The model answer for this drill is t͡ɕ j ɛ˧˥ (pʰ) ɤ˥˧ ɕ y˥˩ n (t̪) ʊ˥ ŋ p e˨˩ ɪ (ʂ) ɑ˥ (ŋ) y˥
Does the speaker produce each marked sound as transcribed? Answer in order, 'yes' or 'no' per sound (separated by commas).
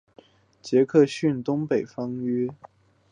no, yes, no, yes